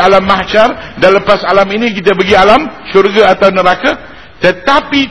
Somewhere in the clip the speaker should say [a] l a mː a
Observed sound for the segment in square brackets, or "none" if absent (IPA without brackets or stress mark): a